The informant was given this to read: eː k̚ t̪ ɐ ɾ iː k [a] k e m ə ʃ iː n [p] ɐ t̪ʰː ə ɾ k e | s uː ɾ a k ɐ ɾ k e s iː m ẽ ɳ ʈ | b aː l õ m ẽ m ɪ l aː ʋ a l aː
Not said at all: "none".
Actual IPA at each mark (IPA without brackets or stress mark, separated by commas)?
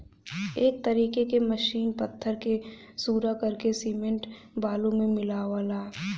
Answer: e, p